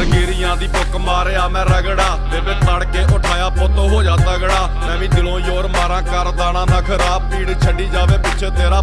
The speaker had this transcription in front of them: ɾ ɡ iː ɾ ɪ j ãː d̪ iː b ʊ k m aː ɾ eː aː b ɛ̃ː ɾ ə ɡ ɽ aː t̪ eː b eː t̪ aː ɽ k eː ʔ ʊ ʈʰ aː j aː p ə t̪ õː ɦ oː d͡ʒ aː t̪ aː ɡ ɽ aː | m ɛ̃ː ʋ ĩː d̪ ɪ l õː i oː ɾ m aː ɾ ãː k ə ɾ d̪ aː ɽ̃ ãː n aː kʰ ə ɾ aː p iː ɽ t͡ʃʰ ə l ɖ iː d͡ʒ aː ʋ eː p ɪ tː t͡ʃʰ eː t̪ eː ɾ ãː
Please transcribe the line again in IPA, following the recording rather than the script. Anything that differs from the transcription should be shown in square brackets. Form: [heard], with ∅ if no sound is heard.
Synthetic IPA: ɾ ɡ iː ɾ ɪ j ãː d̪ iː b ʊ k m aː ɾ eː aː [m] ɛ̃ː ɾ ə ɡ ɽ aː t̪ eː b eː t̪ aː ɽ k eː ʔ ʊ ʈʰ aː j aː p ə t̪ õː ɦ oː d͡ʒ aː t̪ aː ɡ ɽ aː | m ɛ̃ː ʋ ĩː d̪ ɪ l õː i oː ɾ m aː ɾ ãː k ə ɾ d̪ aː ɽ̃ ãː n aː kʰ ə ɾ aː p iː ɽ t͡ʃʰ ə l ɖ iː d͡ʒ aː ʋ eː p ɪ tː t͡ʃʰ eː t̪ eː ɾ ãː